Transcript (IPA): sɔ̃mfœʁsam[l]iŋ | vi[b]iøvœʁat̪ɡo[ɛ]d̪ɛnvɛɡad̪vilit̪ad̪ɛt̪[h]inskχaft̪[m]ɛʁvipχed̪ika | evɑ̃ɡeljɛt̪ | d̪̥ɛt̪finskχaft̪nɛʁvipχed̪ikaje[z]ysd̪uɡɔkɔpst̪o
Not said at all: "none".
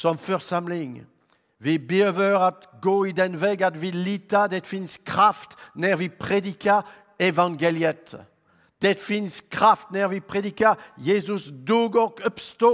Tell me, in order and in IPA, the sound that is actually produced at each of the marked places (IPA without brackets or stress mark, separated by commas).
l, b, i, f, n, z